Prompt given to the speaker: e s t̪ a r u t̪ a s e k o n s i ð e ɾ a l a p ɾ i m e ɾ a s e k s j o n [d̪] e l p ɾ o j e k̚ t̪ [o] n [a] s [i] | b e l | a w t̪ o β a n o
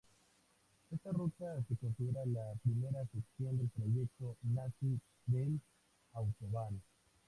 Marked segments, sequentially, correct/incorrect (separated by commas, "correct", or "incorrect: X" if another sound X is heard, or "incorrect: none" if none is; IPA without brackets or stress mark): correct, correct, correct, correct